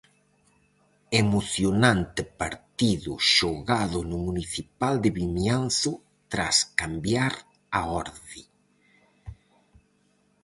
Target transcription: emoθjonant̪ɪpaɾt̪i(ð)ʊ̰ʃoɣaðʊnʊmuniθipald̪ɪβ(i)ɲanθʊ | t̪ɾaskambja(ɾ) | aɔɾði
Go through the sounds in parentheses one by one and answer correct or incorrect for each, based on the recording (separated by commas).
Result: correct, correct, correct